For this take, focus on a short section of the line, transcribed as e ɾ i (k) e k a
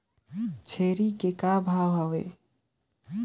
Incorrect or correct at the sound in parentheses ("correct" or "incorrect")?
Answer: correct